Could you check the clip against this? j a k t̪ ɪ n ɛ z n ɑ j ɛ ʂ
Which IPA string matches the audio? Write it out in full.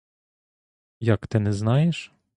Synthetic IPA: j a k t̪ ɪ n ɛ z n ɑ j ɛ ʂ